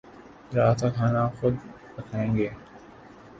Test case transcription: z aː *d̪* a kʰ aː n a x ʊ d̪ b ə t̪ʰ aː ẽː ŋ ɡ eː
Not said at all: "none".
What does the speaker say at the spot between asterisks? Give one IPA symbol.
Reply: t̪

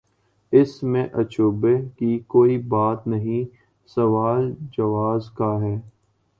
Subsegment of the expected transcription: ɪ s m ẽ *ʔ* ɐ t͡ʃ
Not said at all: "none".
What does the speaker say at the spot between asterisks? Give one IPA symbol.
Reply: ʔ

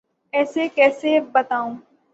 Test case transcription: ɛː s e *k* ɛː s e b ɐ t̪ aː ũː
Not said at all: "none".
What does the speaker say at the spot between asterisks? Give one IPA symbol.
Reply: k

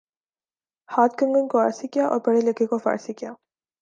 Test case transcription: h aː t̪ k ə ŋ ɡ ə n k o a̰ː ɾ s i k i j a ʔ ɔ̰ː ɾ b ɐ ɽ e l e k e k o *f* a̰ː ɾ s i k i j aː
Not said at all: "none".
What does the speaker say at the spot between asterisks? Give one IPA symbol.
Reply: f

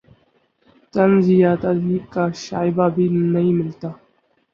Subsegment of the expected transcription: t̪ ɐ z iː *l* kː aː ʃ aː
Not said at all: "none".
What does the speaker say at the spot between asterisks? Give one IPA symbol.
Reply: none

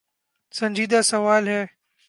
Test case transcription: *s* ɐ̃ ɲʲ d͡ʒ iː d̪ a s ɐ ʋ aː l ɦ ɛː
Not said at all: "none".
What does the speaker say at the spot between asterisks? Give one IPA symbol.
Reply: s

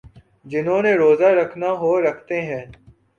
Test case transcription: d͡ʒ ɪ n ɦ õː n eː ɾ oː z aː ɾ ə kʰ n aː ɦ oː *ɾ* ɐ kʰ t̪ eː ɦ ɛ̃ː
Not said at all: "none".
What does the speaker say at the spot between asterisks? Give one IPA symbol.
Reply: ɾ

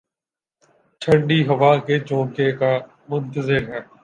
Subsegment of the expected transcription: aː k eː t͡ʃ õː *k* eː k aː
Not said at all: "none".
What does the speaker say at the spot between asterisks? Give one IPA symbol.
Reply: k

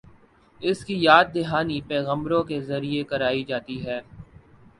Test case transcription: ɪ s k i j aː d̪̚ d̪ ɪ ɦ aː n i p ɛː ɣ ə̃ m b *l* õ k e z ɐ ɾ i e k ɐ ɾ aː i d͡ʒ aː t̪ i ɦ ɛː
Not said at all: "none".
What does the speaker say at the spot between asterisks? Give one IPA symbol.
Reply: ɾ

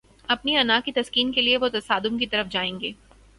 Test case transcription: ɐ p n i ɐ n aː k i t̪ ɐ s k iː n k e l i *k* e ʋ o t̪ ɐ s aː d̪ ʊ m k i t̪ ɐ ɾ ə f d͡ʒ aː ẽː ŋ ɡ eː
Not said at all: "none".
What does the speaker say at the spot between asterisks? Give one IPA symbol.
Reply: none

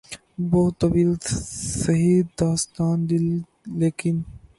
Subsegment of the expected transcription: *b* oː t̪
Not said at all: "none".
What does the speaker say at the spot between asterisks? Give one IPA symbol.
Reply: b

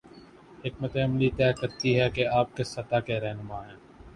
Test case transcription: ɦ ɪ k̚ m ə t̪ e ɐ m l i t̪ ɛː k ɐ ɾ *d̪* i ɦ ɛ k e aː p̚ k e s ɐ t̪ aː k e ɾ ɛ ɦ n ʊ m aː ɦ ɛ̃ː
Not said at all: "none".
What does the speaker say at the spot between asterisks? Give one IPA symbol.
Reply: t̪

